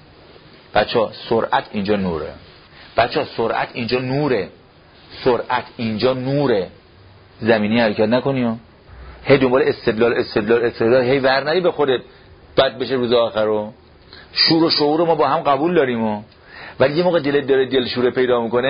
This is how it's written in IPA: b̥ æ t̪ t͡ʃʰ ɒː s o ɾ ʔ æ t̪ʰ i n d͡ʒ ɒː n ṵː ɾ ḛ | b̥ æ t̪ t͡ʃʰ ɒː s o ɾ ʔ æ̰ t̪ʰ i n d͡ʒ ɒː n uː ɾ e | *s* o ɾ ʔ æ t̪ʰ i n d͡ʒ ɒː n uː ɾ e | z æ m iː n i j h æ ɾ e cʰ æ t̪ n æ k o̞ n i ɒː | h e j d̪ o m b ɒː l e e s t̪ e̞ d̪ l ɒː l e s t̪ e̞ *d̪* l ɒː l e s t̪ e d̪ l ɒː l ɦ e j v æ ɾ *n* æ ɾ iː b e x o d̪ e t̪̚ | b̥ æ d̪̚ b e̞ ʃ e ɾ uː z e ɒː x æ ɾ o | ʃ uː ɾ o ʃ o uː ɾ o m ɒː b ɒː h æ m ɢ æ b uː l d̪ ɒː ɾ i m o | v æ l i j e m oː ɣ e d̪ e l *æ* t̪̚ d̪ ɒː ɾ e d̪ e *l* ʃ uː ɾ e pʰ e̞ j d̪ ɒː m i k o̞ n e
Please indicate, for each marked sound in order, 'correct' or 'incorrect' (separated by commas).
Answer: correct, correct, correct, incorrect, correct